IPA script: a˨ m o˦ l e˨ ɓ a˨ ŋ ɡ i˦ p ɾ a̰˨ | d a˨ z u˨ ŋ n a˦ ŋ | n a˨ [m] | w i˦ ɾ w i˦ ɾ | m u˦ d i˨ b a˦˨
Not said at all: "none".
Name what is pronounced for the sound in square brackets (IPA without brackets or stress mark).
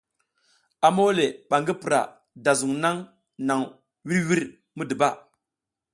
ŋ